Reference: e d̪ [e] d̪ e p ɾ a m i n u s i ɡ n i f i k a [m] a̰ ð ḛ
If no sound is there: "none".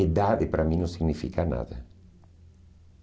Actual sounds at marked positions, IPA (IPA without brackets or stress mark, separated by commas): a, n